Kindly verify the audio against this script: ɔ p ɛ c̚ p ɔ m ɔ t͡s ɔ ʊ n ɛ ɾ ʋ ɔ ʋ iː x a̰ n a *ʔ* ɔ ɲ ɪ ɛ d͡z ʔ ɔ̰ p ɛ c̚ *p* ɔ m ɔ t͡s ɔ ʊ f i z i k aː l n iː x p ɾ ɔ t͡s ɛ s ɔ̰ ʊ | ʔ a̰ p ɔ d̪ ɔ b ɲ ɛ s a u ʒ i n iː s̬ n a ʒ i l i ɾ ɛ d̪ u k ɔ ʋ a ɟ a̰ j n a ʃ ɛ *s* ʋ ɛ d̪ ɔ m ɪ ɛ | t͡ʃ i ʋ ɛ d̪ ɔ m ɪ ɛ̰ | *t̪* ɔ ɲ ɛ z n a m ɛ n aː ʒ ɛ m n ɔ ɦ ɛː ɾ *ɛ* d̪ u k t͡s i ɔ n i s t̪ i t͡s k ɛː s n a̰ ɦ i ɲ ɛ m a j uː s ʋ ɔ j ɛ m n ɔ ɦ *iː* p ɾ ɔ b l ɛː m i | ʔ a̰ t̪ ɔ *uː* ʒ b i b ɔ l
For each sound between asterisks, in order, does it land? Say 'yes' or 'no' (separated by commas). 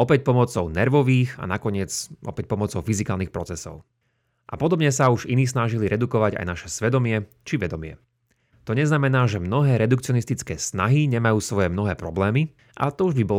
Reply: no, yes, yes, yes, yes, no, no